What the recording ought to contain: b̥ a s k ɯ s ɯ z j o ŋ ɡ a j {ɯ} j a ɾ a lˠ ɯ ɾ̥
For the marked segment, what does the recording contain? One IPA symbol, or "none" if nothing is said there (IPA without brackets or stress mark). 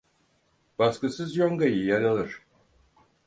ɯ